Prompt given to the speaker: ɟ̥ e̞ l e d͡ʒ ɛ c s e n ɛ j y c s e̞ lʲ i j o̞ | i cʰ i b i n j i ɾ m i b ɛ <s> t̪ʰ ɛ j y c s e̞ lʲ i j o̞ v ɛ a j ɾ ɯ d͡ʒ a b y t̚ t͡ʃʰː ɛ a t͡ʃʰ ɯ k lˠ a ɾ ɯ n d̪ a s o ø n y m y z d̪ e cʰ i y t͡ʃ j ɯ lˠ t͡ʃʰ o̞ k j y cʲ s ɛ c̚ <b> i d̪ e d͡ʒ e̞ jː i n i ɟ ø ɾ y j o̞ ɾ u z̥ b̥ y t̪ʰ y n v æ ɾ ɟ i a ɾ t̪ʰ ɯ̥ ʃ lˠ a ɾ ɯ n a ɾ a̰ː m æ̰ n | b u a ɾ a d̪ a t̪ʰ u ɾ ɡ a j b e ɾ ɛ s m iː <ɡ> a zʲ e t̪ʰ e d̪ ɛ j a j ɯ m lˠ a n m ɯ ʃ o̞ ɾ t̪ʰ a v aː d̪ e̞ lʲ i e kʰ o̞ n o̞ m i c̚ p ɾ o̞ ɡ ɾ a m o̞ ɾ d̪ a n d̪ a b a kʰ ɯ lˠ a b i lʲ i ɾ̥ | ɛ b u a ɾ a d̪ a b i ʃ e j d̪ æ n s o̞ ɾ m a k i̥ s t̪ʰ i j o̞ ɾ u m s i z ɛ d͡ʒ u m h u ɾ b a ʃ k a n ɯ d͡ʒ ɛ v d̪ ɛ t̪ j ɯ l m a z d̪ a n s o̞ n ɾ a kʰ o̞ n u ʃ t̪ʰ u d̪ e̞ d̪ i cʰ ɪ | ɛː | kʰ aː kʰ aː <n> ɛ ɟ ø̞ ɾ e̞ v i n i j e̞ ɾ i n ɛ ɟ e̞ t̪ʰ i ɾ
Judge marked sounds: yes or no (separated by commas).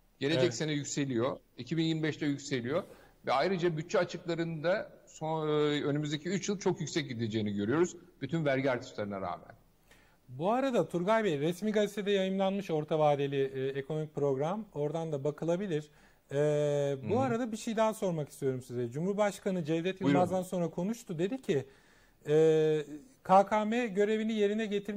no, no, yes, no